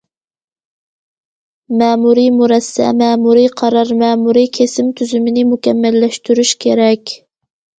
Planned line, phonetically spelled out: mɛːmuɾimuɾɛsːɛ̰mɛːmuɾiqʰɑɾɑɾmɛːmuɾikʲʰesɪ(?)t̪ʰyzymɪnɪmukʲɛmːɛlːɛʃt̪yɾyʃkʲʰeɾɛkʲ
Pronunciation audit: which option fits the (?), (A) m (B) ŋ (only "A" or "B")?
A